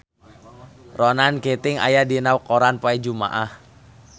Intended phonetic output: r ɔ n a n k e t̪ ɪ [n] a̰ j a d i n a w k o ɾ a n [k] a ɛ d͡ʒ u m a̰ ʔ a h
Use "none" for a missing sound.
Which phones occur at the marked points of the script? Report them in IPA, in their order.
ŋ, p

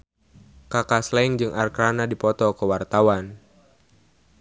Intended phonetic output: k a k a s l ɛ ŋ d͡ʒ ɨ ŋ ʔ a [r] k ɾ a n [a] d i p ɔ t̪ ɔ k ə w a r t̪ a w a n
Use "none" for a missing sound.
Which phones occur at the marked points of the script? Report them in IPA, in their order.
r, a

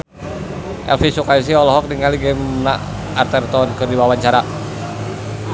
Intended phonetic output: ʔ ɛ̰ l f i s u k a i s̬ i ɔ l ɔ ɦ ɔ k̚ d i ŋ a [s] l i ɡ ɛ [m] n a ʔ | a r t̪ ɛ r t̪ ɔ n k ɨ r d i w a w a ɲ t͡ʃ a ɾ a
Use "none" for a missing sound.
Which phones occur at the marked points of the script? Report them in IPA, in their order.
none, m

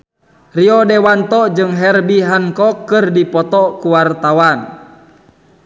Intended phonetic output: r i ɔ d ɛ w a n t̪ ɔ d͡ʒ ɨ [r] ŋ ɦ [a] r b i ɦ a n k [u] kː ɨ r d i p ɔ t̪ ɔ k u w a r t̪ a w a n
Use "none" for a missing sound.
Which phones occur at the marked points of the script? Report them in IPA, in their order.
none, ɛ, ɔ

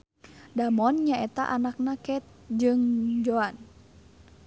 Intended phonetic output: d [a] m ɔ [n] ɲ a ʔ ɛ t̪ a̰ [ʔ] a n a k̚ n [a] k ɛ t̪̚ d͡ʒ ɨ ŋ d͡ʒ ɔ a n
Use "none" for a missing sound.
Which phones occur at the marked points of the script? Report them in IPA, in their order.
a, n, ʔ, a

